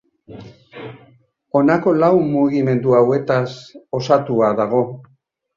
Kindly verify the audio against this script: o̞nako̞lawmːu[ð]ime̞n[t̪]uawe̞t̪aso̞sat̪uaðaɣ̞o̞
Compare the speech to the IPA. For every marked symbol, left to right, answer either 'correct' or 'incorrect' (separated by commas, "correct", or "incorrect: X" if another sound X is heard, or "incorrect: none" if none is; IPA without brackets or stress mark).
incorrect: ɣ, incorrect: d̪